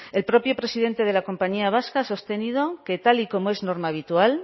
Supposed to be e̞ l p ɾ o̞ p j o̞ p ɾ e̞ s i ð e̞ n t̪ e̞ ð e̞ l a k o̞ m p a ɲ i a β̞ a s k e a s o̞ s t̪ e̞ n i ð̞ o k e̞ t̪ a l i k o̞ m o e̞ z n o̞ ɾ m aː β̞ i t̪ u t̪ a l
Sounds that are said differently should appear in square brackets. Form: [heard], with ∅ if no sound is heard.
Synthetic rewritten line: e̞ l p ɾ o̞ p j o̞ p ɾ e̞ s i ð e̞ n t̪ e̞ ð e̞ l a k o̞ m p a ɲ i a β̞ a s k [a] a s o̞ s t̪ e̞ n i ð̞ o k e̞ t̪ a l i k o̞ m o e̞ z n o̞ ɾ m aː β̞ i t̪ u [∅] a l

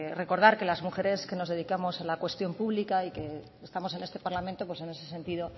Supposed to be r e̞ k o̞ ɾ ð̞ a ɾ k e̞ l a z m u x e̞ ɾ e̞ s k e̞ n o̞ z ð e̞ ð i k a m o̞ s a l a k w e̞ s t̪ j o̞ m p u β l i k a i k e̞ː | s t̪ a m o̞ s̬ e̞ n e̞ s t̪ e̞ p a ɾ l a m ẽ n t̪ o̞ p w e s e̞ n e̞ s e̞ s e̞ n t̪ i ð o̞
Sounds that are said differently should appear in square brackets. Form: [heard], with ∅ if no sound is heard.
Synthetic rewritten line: r e̞ k o̞ ɾ ð̞ a ɾ k e̞ l a z m u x e̞ ɾ e̞ s k e̞ n o̞ z ð e̞ ð i k a m o̞ s a l a k w e̞ s t̪ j o̞ m p u β l i k a i k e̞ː | s t̪ a m o̞ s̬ e̞ n e̞ s t̪ e̞ p a ɾ l a m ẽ n t̪ o̞ p w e s e̞ n e̞ s e̞ s e̞ n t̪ i ð o̞

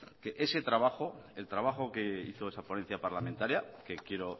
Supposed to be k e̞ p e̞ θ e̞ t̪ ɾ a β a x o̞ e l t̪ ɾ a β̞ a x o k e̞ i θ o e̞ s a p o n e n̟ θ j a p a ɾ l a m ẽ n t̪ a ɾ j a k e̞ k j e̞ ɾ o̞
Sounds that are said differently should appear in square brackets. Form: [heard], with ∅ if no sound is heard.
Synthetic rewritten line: k e̞ [ʔ] e̞ [s] e̞ t̪ ɾ a β a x o̞ e l t̪ ɾ a β̞ a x o k e̞ i θ o e̞ s a p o n e n̟ θ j a p a ɾ l a m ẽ n t̪ a ɾ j a k e̞ k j e̞ ɾ o̞

